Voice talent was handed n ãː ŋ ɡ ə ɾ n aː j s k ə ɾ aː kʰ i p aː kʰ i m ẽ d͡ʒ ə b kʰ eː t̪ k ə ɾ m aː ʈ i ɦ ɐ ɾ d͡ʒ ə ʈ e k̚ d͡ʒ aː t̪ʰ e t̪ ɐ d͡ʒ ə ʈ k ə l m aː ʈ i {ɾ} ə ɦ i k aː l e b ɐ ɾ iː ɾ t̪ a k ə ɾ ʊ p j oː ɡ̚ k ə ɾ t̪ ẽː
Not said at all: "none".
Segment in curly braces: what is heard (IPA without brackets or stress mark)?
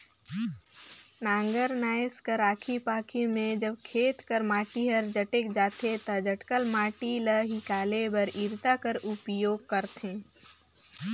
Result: l